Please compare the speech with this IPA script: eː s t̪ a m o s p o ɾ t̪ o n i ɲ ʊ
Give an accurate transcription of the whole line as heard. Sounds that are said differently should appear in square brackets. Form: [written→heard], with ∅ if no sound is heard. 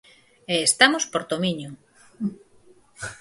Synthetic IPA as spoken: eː s t̪ a m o s p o ɾ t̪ o [n→m] i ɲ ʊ